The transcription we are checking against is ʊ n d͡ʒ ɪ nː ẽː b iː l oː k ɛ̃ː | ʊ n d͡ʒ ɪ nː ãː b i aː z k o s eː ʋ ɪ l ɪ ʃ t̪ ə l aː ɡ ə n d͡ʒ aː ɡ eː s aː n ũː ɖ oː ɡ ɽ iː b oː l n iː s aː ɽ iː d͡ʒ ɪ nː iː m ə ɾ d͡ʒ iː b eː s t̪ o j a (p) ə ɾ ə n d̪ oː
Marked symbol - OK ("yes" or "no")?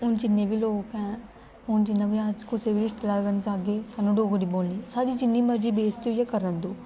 no